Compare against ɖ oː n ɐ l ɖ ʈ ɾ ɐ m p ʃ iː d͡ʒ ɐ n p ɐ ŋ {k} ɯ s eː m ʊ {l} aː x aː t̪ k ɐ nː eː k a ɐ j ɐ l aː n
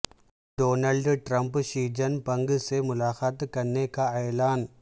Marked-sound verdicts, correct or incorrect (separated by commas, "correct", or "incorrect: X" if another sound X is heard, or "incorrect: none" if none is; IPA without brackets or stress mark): incorrect: ɡ, correct